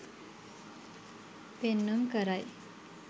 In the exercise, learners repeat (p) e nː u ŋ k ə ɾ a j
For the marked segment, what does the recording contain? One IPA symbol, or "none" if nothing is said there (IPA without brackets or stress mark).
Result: p